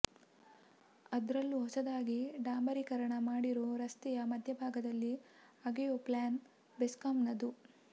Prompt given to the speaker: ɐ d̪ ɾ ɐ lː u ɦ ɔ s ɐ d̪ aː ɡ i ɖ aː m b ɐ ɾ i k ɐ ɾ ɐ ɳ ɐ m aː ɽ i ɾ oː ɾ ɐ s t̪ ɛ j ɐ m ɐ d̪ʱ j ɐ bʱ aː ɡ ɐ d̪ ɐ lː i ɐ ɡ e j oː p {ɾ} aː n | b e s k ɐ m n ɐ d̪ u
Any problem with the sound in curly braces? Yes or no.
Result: yes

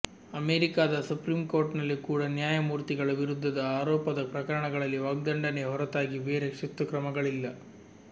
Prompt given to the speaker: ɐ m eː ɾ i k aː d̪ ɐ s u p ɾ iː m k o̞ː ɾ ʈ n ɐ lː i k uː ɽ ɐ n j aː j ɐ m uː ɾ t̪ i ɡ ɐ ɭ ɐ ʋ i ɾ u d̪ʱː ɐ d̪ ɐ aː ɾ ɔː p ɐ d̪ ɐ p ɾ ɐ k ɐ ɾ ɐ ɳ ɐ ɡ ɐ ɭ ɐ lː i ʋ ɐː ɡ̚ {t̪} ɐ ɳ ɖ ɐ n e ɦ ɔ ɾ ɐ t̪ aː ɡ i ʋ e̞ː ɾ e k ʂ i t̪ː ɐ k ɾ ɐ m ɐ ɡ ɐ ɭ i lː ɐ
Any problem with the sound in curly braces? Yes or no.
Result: yes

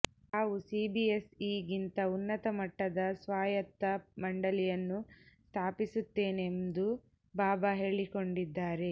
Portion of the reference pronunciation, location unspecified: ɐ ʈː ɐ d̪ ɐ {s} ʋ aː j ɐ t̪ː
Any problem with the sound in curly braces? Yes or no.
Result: no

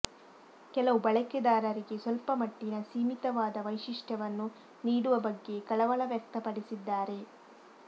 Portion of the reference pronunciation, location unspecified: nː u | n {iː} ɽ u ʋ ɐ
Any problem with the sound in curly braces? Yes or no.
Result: no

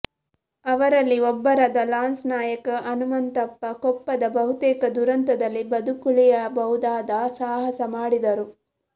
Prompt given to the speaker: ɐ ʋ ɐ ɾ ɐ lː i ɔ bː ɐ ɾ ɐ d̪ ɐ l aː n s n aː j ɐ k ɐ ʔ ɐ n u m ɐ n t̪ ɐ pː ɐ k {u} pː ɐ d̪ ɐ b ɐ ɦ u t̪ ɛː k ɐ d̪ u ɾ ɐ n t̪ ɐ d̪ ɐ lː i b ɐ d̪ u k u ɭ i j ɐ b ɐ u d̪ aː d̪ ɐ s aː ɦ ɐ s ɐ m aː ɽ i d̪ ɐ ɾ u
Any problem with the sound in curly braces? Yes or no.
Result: yes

